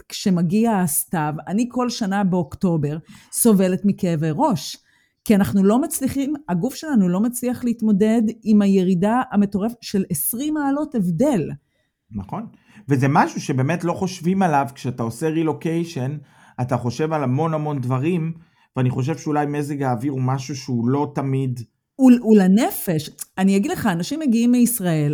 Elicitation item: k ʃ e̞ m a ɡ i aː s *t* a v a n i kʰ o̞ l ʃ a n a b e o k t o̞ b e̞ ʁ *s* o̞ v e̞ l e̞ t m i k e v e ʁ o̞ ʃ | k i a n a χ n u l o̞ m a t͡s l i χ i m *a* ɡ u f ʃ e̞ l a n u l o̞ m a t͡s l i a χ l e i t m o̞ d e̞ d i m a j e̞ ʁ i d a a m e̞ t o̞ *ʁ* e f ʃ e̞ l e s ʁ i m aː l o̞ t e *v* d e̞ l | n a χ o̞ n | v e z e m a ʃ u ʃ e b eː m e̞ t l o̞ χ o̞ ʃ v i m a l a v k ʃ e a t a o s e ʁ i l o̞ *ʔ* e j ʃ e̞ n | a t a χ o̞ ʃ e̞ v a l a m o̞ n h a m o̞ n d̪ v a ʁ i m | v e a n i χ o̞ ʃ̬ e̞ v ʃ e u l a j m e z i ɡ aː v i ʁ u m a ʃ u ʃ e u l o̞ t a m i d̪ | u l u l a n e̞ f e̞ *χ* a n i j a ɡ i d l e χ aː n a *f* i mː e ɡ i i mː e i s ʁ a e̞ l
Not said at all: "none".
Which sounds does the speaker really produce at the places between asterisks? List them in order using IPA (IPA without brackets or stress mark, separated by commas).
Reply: t, s, a, ʁ, v, k, ʃ, ʃ